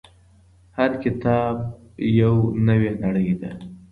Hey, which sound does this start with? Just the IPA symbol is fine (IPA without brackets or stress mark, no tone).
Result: h